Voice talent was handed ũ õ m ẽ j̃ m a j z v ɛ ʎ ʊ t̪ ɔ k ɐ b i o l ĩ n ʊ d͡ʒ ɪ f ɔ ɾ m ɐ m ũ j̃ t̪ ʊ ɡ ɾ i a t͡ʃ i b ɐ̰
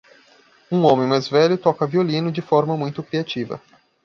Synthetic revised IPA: ũ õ m ẽ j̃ m a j z v ɛ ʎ ʊ t̪ ɔ k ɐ v i o l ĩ n ʊ d͡ʒ ɪ f ɔ ɾ m ɐ m ũ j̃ t̪ ʊ k ɾ i a t͡ʃ i v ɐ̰